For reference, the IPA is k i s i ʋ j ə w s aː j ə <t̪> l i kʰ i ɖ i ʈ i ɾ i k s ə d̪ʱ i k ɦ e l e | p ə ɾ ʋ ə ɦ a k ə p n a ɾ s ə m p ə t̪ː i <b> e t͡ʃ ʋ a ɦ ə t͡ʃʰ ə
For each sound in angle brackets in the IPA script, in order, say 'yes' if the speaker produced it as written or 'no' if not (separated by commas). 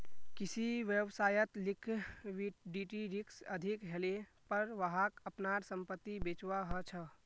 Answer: yes, yes